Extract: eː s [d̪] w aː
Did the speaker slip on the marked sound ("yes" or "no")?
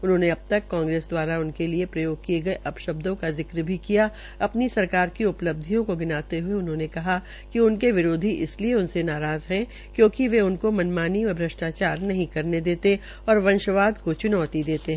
no